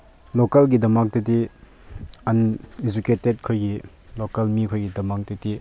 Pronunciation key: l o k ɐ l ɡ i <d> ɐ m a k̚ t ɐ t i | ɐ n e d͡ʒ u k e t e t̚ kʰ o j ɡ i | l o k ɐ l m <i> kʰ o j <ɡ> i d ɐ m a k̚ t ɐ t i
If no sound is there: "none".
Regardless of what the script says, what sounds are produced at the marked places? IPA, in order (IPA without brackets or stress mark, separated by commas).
d, i, ɡ